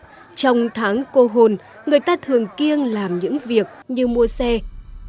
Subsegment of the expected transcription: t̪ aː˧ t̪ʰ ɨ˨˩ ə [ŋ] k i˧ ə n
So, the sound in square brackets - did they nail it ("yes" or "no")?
yes